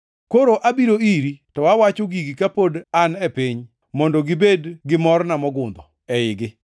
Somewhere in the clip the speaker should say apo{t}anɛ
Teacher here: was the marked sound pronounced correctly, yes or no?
no